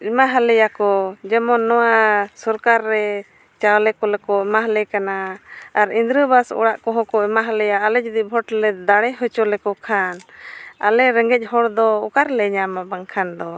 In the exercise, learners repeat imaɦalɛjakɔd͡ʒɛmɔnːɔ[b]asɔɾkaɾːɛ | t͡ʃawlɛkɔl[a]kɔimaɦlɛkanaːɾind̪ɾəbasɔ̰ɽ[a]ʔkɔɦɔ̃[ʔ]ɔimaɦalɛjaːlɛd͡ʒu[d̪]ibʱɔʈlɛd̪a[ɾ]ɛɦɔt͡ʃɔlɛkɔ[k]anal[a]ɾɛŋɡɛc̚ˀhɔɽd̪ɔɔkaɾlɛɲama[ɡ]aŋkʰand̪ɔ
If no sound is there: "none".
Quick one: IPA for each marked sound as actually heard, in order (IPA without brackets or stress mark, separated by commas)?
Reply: w, ɛ, a, k, d̪, ɽ, kʰ, ɛ, b